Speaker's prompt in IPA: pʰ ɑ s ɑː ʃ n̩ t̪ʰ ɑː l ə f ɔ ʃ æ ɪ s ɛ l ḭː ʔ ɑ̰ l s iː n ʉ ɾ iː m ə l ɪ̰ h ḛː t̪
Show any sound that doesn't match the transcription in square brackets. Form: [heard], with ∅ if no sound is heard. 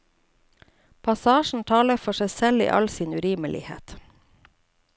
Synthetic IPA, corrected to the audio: pʰ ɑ s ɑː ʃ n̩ t̪ʰ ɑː l ə f ɔ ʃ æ ɪ s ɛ l ḭː ʔ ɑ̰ l s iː n ʉ ɾ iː m ə l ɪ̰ h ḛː t̪